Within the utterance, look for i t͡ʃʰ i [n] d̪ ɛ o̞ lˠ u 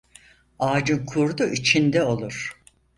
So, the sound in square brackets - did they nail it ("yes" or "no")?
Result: yes